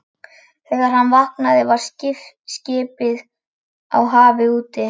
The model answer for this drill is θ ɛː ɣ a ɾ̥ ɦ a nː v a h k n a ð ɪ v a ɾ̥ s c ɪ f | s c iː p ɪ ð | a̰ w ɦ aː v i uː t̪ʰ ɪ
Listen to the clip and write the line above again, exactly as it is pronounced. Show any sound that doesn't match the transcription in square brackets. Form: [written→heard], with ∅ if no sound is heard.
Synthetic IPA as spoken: θ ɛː ɣ a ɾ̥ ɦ a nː v a h k n a ð ɪ v a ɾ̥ s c ɪ f | s c [iː→ɪː] p ɪ ð | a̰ w ɦ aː v [i→ɪ] uː [t̪ʰ→t̪] ɪ